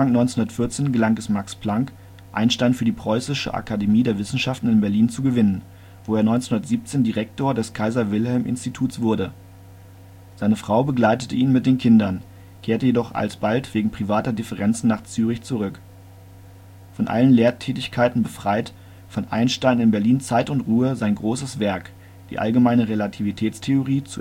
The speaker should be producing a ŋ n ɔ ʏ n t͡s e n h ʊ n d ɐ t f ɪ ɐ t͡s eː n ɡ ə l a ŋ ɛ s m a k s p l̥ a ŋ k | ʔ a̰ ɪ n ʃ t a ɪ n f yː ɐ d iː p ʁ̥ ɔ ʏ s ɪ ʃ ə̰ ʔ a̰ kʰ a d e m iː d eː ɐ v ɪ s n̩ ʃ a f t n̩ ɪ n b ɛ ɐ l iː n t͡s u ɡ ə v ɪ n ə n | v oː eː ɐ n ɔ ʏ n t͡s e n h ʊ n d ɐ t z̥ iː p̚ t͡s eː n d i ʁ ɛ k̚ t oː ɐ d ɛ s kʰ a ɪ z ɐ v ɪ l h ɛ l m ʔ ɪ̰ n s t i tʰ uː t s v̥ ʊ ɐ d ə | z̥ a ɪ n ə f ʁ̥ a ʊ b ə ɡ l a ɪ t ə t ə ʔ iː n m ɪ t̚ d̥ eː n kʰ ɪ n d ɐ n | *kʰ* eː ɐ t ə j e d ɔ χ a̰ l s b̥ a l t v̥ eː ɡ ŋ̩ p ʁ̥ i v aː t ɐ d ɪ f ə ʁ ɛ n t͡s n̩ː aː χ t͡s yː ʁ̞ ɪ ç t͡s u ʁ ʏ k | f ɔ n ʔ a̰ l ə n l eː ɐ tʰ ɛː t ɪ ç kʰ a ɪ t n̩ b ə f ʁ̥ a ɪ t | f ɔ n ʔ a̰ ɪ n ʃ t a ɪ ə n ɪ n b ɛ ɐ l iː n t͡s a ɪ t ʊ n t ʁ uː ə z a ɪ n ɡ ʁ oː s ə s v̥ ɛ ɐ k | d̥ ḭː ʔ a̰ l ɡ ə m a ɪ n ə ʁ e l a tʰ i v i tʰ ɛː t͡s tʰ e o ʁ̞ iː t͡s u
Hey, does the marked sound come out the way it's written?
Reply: yes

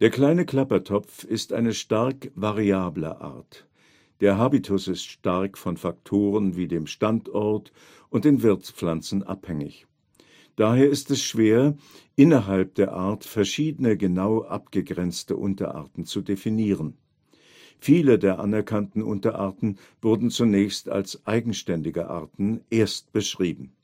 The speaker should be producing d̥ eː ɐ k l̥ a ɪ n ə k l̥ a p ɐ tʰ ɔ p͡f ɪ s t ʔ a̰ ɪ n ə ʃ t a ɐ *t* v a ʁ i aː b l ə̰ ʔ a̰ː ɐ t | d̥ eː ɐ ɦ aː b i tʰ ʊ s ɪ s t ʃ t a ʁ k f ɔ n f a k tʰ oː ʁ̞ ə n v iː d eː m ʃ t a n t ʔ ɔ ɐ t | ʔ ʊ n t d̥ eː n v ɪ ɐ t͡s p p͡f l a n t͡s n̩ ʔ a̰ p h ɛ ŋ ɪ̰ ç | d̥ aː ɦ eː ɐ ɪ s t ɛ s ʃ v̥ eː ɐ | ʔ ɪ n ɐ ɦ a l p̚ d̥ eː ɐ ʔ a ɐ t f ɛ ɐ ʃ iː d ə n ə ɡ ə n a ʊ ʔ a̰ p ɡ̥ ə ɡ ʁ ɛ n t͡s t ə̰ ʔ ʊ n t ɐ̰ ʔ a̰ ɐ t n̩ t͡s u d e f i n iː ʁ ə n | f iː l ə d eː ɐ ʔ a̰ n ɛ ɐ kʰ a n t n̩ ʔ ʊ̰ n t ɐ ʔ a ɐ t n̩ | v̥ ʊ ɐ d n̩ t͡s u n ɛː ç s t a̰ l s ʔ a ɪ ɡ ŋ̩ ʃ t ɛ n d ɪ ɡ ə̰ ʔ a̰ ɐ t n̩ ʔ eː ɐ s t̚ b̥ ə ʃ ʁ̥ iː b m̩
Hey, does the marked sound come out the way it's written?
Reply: no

